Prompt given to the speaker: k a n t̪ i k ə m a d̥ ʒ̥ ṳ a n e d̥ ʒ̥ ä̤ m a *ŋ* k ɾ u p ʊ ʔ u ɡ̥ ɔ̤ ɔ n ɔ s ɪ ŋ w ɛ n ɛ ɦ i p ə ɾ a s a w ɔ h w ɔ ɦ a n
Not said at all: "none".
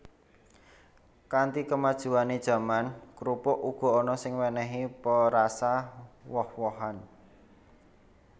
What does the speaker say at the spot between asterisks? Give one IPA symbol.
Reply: n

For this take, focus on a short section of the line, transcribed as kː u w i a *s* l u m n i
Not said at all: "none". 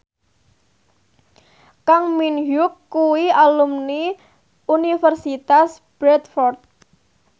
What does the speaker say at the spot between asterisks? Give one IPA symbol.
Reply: none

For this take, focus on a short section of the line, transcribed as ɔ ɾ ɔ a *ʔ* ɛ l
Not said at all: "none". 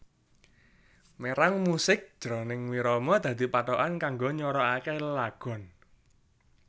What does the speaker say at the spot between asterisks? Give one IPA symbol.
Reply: k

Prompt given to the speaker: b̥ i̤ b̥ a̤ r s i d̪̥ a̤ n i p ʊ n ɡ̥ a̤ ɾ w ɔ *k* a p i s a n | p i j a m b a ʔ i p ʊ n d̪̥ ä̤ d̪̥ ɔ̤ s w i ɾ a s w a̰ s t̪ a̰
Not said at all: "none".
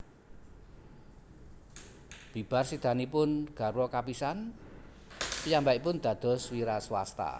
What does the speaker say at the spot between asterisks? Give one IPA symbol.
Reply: k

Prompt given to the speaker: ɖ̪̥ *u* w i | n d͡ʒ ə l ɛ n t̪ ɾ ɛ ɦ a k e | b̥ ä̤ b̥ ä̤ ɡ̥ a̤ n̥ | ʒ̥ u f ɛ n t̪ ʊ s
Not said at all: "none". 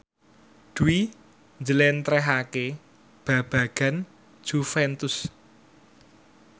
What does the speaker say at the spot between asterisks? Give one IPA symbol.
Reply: u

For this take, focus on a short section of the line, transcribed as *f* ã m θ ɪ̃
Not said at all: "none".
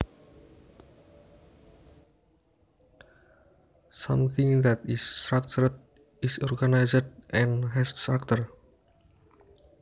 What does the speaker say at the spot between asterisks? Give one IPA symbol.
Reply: s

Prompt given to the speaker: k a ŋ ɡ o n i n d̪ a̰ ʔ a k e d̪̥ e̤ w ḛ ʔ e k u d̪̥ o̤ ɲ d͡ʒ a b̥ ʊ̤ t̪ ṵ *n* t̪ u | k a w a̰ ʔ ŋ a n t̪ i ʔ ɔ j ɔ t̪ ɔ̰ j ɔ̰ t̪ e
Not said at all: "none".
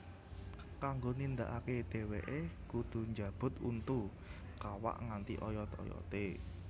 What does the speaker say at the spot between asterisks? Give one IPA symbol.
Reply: n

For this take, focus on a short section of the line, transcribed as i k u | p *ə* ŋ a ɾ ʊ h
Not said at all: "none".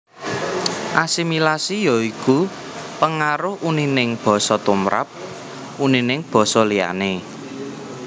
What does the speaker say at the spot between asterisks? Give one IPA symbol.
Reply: ə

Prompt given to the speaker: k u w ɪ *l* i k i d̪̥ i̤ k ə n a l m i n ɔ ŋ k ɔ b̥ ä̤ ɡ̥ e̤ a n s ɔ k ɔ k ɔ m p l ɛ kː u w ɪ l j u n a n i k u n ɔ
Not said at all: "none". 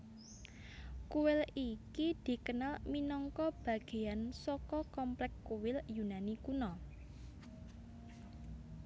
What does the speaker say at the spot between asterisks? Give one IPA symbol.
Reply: l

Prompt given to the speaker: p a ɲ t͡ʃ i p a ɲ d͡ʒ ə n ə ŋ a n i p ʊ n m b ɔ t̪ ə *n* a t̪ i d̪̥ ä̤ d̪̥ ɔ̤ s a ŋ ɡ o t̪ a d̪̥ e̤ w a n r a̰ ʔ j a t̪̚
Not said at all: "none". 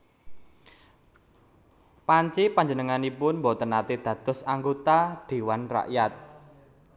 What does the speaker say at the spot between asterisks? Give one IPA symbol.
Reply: n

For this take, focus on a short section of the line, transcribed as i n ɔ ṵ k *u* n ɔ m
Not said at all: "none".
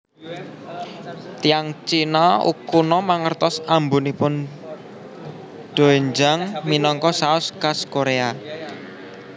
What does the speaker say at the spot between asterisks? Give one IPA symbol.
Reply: u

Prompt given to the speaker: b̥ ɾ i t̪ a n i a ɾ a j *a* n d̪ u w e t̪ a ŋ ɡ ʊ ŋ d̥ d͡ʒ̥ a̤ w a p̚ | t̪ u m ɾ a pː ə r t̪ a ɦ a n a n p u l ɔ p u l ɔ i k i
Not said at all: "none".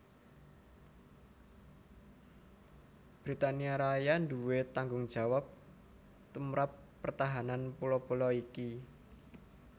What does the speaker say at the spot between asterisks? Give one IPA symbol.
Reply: a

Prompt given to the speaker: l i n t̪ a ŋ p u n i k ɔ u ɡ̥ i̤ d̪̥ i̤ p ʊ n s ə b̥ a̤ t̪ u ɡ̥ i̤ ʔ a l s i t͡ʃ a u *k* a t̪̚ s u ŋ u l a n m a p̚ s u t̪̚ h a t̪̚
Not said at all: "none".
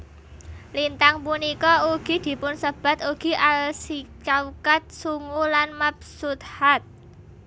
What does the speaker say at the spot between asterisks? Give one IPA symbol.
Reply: k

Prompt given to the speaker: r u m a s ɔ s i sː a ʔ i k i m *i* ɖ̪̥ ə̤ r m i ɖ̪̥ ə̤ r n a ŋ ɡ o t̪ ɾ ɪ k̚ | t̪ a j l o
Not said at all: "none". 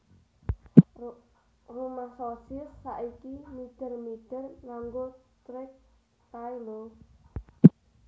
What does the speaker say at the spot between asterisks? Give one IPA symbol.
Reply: i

